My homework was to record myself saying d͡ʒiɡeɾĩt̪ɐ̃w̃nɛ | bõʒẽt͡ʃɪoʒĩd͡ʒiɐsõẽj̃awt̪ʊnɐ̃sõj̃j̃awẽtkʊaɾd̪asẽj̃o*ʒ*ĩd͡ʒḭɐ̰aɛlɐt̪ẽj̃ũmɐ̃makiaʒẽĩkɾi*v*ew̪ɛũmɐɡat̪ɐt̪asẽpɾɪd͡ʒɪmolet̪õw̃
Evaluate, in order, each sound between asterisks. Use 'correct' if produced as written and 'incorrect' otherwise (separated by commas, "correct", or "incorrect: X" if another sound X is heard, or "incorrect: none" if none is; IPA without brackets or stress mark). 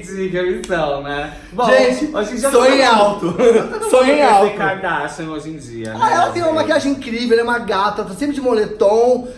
correct, correct